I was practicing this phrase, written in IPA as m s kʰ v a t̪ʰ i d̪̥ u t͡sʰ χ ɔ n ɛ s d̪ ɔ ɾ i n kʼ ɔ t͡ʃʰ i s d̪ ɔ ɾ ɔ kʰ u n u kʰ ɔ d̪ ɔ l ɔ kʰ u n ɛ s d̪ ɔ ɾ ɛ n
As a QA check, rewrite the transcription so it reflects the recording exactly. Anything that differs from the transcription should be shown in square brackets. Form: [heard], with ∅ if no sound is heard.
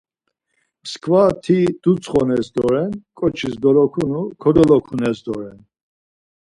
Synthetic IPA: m s kʰ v a t̪ʰ i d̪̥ u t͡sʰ χ ɔ n ɛ s d̪ ɔ ɾ [ɛ] n kʼ ɔ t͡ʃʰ i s d̪ ɔ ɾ ɔ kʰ u n u kʰ ɔ d̪ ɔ l ɔ kʰ u n ɛ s d̪ ɔ ɾ ɛ n